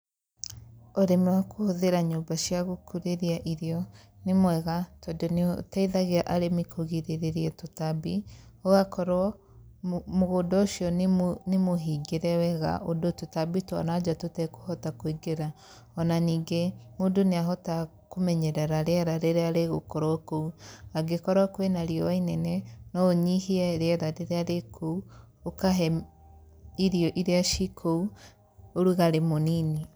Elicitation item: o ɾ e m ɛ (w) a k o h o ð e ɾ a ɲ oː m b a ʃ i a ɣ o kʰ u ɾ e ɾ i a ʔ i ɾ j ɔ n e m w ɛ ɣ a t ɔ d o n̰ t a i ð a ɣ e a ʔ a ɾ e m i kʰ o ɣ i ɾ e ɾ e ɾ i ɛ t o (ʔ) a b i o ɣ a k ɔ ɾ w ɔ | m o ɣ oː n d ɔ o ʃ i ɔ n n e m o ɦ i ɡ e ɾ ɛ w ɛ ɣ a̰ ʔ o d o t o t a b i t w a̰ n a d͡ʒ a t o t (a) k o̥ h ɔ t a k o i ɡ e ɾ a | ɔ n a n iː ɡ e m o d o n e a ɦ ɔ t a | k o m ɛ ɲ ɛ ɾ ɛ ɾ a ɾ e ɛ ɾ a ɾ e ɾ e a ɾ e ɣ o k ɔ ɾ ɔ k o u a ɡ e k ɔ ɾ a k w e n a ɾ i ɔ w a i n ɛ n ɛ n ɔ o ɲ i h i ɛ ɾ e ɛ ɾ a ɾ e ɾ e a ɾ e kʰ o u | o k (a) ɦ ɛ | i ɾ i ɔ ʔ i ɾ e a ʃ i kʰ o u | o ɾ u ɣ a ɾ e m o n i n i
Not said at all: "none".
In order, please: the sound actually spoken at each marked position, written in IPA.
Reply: w, t, ɛ, a

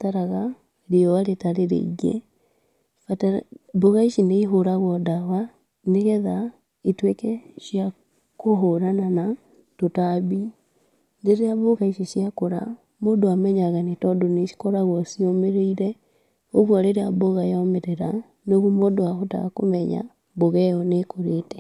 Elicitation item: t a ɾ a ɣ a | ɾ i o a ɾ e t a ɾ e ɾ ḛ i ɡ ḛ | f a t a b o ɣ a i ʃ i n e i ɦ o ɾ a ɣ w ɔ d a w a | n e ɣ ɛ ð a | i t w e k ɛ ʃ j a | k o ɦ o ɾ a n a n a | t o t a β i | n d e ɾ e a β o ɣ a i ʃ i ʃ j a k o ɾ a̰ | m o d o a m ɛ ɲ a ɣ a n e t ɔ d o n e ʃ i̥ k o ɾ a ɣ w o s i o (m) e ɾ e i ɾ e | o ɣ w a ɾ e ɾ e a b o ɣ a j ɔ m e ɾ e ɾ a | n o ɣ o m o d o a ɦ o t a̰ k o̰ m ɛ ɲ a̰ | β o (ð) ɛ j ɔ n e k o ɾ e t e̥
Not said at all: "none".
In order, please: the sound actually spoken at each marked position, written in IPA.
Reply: m, ɣ

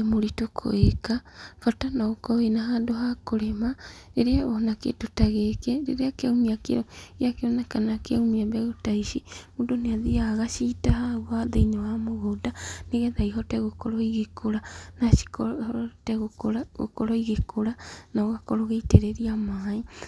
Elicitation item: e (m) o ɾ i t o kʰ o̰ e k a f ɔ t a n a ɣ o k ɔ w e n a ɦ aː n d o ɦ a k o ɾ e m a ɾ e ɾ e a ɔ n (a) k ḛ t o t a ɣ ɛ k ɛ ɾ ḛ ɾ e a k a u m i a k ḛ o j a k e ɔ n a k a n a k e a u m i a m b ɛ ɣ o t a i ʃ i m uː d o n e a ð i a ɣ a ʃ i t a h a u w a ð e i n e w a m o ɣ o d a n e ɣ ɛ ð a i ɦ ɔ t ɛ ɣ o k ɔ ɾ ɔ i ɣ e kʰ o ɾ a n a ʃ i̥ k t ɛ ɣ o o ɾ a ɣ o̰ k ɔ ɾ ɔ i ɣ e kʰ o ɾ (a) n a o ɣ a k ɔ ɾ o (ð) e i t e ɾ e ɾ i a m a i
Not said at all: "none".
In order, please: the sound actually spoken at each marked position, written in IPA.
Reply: m, a, a, ɣ

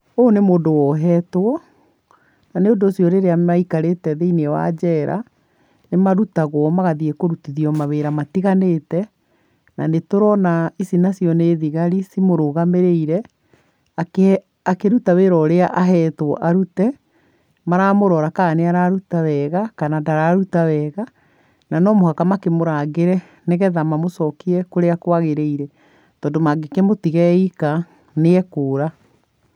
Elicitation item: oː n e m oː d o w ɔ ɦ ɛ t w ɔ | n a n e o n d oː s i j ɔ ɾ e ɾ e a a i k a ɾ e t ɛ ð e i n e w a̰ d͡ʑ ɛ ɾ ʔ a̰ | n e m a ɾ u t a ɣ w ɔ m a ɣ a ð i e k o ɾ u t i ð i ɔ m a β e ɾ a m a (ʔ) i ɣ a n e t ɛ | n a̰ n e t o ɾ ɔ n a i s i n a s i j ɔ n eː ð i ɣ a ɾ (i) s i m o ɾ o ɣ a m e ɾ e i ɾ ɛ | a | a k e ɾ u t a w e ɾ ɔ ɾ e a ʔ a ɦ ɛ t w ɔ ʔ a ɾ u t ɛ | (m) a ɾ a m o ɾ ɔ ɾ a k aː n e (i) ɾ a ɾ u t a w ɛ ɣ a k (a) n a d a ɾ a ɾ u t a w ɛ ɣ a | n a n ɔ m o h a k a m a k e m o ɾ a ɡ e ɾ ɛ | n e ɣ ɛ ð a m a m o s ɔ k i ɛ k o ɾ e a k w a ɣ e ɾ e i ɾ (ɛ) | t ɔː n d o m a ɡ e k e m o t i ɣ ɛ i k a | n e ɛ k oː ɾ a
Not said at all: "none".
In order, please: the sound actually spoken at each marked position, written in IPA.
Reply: t, i, m, a, a, ɛ

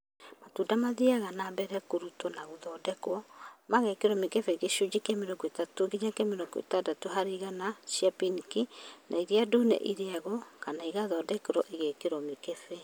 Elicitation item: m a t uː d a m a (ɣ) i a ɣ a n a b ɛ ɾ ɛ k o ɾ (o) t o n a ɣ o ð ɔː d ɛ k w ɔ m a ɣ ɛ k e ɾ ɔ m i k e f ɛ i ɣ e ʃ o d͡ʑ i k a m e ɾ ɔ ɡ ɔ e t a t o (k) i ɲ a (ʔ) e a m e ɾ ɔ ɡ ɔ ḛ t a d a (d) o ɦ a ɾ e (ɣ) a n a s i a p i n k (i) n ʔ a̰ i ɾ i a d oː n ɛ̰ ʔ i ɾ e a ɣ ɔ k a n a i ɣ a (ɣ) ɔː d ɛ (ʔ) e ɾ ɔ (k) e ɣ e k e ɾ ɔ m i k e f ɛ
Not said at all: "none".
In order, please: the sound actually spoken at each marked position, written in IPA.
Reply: ð, u, ɡ, k, t, ɣ, i, ð, k, ʔ

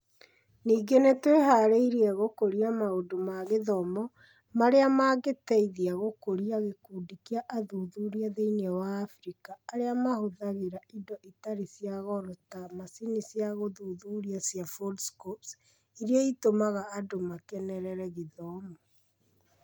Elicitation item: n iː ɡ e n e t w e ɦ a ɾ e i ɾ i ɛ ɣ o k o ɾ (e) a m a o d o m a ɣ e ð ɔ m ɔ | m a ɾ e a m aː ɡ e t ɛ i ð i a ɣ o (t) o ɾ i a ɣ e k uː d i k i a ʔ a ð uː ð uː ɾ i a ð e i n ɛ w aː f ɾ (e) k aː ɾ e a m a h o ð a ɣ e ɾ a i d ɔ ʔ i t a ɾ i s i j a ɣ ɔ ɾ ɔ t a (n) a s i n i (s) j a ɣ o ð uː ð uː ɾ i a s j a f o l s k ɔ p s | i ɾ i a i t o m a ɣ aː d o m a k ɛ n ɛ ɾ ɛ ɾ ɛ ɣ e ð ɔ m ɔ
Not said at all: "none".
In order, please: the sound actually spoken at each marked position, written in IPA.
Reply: i, k, i, m, s

